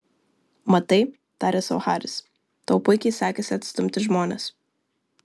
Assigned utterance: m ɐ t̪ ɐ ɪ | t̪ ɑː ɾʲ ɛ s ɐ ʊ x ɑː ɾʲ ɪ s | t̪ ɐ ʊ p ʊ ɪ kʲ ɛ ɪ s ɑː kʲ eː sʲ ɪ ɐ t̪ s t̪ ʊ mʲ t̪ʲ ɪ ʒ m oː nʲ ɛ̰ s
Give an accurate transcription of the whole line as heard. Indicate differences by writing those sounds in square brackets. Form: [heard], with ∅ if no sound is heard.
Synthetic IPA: m ɐ t̪ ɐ ɪ | t̪ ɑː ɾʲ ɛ s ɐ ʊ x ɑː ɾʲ ɪ s | t̪ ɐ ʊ p ʊ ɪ kʲ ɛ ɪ s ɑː kʲ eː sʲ ɪ ɐ t̪ s t̪ ʊ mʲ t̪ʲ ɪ ʒ m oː nʲ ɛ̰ s